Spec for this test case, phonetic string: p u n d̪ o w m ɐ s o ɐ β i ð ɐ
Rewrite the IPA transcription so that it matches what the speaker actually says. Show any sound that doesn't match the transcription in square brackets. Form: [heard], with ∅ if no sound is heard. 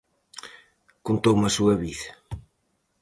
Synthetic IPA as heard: [k] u n [t̪] o w m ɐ s [u] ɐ β i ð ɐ